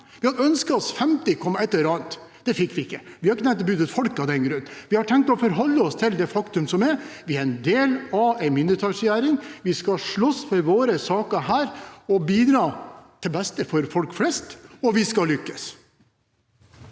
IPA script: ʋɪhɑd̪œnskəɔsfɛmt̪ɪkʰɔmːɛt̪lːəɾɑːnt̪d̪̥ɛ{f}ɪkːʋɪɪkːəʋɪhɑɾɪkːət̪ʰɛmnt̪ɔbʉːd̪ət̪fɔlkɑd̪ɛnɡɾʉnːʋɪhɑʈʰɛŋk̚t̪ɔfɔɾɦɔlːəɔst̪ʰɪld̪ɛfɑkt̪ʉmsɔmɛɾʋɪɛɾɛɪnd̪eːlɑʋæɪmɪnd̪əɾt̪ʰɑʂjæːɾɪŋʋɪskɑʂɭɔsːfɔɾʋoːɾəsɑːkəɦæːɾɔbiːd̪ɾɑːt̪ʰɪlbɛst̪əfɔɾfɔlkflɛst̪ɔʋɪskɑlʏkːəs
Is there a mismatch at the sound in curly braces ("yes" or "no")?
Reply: no